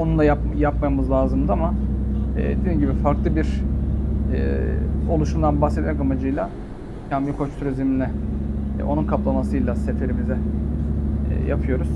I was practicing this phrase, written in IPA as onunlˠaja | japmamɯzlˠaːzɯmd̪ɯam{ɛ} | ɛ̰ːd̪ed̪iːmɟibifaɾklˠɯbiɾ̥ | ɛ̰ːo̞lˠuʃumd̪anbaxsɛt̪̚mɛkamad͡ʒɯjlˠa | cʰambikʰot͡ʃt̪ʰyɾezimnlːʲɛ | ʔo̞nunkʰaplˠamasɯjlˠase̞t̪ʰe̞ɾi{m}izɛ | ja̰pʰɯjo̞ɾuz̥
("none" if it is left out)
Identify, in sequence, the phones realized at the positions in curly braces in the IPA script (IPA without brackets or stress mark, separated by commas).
a, m